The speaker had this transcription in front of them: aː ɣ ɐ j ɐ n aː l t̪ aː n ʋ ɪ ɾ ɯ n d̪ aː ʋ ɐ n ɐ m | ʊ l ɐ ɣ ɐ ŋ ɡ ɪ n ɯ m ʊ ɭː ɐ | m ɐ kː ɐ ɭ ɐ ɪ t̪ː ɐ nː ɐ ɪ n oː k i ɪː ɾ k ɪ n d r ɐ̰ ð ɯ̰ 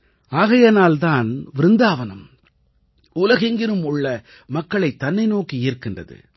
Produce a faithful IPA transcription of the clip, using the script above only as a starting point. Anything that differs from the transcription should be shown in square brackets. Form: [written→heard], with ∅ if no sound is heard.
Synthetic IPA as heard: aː ɣ ɐ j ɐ n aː l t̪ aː n ʋ ɪ ɾ ɯ n d̪ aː ʋ ɐ n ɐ m | ʊ l ɐ ɣ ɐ ŋ ɡ ɪ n ɯ m ʊ ɭː ɐ | m ɐ kː ɐ ɭ ɐ ɪ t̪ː ɐ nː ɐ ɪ n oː k i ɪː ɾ k ɪ n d r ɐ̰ ð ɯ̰